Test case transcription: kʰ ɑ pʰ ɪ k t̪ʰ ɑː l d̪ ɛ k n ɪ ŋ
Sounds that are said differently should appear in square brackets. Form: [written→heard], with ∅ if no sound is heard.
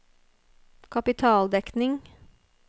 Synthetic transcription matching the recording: kʰ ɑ [pʰ→p] ɪ [k→∅] t̪ʰ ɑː l d̪ ɛ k n ɪ ŋ